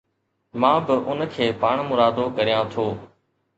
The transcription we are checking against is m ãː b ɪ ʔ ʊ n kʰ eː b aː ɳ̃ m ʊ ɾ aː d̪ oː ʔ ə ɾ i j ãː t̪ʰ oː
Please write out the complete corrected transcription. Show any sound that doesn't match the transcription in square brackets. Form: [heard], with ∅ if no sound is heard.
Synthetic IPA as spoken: m ãː b ɪ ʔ ʊ n kʰ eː [p] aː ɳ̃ m ʊ ɾ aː d̪ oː [k] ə ɾ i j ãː t̪ʰ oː